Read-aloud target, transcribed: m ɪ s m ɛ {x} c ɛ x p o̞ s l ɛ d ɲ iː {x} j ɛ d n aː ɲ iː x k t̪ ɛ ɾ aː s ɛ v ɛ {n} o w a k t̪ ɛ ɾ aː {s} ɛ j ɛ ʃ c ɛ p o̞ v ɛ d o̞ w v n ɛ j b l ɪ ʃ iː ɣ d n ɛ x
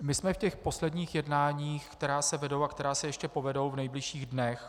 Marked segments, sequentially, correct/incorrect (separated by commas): incorrect, correct, incorrect, correct